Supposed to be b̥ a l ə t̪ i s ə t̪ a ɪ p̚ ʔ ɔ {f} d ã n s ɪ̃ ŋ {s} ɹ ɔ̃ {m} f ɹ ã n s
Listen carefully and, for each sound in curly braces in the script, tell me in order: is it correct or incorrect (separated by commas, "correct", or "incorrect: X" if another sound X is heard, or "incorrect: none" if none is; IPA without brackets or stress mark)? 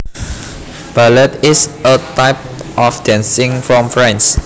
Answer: correct, incorrect: f, correct